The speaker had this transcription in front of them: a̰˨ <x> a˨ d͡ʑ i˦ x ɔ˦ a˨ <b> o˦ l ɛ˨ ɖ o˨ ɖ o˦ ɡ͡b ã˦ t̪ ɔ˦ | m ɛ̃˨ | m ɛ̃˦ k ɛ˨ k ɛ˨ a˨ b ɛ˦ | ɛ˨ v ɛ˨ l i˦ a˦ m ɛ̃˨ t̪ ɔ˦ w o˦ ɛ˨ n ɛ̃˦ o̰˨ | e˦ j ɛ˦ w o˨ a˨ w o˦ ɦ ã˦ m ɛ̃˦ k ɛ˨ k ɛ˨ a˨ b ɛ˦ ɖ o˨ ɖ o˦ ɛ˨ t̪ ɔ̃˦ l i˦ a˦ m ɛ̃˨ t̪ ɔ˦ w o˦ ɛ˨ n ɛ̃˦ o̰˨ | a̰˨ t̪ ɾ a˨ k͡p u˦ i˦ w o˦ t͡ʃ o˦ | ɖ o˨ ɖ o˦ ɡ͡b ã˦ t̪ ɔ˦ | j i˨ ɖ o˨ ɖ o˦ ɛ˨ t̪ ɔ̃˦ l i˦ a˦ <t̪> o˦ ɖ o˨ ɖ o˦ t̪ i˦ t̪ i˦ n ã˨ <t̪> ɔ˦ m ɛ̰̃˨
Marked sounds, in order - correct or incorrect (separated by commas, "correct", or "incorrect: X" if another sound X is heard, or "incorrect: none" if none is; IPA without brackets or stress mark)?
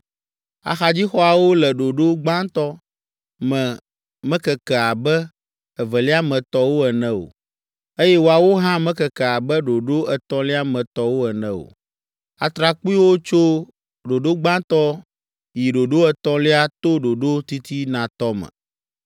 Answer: correct, incorrect: w, correct, correct